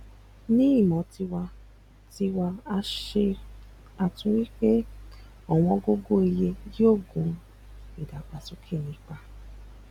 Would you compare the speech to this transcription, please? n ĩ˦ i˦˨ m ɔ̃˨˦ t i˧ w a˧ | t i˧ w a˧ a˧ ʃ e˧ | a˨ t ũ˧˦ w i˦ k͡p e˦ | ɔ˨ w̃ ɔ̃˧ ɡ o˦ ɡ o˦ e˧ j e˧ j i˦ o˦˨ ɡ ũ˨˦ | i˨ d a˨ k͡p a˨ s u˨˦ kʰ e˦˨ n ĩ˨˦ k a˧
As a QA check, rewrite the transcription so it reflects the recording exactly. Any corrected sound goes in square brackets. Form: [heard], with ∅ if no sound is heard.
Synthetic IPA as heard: n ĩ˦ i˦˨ m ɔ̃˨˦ t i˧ w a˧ | t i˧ w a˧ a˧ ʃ e˧ | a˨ t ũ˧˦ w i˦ k͡p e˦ | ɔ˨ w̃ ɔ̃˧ ɡ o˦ ɡ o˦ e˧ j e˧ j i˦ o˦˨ ɡ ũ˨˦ | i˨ d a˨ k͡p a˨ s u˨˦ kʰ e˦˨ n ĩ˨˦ [k͡p] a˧